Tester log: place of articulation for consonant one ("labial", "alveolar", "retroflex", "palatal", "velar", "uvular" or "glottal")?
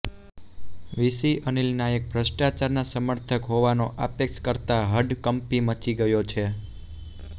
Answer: labial